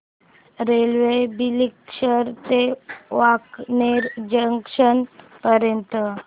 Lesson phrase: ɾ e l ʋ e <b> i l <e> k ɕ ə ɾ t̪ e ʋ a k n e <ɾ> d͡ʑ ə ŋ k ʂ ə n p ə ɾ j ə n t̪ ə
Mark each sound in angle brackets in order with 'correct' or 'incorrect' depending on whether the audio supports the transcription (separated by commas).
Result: correct, incorrect, correct